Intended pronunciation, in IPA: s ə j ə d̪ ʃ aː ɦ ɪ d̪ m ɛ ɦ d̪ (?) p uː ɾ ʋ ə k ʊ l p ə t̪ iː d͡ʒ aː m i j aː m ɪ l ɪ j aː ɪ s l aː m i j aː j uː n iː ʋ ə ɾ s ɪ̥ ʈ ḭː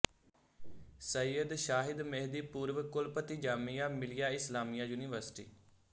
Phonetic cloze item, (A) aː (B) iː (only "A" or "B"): B